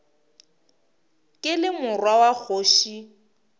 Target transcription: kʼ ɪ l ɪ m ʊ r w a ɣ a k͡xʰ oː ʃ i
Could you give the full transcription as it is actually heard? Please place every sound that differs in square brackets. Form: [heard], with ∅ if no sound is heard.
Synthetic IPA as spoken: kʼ ɪ l ɪ m ʊ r w a [w] a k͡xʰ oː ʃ i

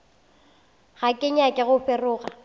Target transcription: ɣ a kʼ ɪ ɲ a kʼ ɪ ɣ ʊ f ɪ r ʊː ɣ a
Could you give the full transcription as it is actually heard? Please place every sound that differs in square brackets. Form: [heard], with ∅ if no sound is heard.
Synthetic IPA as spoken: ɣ a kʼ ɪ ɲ a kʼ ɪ ɣ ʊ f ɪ r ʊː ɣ a

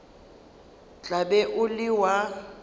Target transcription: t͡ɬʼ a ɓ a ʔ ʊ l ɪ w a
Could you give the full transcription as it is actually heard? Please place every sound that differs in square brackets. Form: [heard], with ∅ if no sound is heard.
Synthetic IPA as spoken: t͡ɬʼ a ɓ [ɛ] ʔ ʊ l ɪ w a

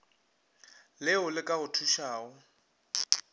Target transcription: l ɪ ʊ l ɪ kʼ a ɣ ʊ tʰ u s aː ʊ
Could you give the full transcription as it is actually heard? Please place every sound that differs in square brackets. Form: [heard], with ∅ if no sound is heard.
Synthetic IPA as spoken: l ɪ ʊ l ɪ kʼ a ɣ ʊ tʰ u [ʃ] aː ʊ

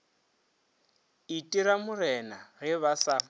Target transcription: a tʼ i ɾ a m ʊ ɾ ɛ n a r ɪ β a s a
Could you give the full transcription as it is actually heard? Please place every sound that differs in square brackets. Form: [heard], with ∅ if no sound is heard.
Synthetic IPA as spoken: [i] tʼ i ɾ a m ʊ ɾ ɛ n a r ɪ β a s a

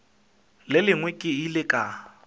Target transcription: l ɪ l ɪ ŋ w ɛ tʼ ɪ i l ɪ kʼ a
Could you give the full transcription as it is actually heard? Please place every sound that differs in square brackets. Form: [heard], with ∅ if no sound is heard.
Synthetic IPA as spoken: l ɪ l ɪ ŋ w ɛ [kʼ] ɪ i l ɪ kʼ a

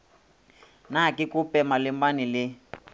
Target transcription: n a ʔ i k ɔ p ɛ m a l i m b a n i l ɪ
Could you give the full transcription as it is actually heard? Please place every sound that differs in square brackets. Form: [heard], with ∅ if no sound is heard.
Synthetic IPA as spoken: n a [k] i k [u] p ɛ m a l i m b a n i l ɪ

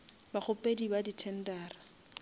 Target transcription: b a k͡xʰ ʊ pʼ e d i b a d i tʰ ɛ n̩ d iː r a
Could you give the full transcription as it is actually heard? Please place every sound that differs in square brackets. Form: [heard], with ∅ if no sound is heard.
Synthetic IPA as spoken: b a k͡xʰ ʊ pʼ e d i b a d i tʰ ɛ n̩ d [aː] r a

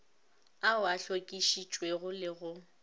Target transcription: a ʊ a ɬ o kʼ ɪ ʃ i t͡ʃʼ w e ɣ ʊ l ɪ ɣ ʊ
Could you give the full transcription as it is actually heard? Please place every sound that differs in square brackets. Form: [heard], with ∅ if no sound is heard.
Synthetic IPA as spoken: a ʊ a ɬ o kʼ [i] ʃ i t͡ʃʼ w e ɣ ʊ l ɪ ɣ ʊ

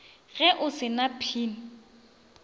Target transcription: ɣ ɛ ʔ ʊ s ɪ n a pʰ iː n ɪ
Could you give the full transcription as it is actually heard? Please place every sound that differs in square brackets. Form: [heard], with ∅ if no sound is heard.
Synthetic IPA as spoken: ɣ ɛ ʔ ʊ s ɪ n a pʰ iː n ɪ

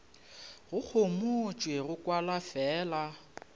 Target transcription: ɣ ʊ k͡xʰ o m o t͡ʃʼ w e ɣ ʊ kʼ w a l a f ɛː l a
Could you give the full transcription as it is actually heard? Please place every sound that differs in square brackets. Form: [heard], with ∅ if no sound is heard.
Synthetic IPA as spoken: ɣ ʊ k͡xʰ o m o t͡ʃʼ w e ɣ ʊ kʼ w a l a f ɛː l a

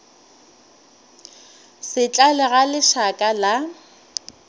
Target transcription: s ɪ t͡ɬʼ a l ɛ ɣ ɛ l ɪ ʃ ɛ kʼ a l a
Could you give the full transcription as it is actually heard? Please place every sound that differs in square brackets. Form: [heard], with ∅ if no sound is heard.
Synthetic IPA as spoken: s ɪ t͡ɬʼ a l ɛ ɣ [a] l ɪ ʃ [a] kʼ a l a

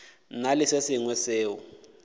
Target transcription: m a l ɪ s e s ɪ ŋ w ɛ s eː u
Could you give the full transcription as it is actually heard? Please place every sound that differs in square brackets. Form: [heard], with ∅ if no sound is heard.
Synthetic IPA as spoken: [n] a l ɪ s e s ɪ ŋ w ɛ s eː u

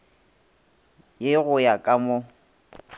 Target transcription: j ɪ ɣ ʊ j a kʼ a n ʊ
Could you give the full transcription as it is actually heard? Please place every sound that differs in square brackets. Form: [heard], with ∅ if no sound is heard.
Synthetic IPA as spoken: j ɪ ɣ ʊ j a kʼ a [m] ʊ

